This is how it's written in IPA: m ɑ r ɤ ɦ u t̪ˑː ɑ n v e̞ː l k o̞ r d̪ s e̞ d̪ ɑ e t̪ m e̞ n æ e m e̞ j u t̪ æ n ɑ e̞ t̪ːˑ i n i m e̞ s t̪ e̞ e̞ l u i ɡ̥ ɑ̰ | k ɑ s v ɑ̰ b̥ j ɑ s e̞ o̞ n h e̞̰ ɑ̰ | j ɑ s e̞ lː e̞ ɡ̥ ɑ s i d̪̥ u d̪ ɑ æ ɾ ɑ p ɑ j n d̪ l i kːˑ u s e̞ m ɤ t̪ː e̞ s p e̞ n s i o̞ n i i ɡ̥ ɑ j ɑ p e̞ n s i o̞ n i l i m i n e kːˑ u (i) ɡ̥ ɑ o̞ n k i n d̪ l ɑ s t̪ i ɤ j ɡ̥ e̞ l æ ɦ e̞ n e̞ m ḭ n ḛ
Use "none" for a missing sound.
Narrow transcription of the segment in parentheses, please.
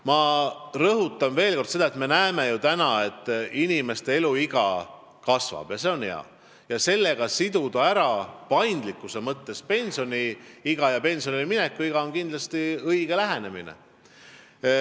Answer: i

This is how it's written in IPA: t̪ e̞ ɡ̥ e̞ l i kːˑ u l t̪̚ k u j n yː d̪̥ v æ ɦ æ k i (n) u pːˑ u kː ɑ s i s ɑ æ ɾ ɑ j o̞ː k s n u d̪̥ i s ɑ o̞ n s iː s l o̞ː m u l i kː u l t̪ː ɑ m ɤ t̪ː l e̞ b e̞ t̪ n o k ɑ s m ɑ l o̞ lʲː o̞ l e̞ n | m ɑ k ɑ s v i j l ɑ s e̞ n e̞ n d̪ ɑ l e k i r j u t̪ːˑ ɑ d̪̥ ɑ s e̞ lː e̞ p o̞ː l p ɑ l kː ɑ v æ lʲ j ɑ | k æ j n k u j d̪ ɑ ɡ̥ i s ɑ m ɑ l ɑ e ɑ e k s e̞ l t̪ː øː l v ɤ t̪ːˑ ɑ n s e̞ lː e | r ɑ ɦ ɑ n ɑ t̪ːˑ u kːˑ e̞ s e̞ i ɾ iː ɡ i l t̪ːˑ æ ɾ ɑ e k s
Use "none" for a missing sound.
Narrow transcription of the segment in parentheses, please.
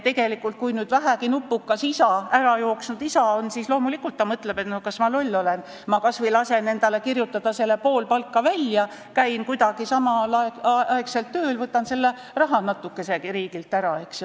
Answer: n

